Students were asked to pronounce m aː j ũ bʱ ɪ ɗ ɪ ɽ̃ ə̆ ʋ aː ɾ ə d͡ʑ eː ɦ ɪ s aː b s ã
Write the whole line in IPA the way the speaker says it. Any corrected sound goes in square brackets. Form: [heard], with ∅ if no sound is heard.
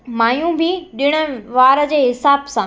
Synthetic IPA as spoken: m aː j ũ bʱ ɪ ɗ ɪ ɽ̃ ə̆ ʋ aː ɾ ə d͡ʑ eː ɦ ɪ s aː b s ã